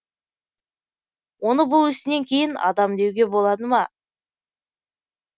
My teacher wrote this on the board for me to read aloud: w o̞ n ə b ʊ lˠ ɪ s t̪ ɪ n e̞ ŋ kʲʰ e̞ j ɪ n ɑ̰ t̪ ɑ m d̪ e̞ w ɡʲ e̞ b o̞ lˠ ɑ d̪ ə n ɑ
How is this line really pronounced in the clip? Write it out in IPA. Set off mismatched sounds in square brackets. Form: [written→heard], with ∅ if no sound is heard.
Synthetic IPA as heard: w o̞ n ə b ʊ lˠ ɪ s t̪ ɪ n e̞ ŋ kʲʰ e̞ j ɪ n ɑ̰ [t̪→d̪] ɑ m d̪ e̞ w ɡʲ e̞ b o̞ lˠ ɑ d̪ ə [n→m] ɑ